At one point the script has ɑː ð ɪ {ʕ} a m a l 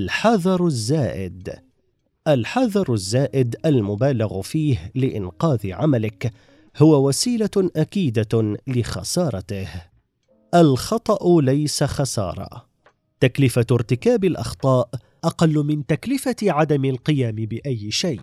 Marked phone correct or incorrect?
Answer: correct